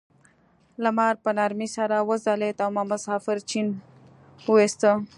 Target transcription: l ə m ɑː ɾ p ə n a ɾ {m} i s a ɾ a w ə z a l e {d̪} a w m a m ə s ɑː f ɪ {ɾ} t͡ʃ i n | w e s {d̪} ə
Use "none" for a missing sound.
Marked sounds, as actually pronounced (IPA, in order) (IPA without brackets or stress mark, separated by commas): m, t̪, ɾ, t̪